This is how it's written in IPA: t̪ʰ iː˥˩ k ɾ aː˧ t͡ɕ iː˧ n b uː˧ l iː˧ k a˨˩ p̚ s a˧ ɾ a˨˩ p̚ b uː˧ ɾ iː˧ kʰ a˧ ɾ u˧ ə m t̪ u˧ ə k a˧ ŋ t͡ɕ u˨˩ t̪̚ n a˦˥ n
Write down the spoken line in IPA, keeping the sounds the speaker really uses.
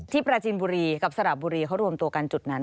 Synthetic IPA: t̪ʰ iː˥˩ p ɾ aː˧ t͡ɕ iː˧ n b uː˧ ɾ iː˧ k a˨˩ p̚ s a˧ ɾ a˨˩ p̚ b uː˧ ɾ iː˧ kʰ a˦˥ ɾ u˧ ə m t̪ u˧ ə k a˧ n t͡ɕ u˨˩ t̪̚ n a˦˥ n